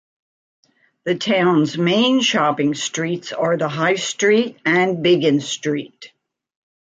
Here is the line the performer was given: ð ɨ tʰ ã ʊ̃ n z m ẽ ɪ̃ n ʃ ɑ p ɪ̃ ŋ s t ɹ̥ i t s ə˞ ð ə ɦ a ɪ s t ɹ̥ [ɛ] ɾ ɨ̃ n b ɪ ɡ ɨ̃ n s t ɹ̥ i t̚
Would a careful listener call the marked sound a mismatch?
yes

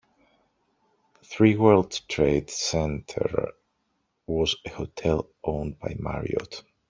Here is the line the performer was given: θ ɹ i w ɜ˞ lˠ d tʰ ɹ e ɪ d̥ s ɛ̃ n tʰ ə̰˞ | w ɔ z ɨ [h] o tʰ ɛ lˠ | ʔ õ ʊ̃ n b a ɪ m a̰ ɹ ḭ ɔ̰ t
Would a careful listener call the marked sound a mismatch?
no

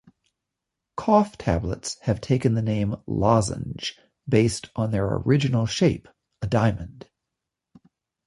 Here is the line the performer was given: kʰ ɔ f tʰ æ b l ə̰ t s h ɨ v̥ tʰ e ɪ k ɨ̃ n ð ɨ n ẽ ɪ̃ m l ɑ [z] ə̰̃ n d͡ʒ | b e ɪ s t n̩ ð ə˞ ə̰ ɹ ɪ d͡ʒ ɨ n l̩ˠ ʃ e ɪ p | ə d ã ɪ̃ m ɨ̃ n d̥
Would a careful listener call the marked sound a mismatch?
no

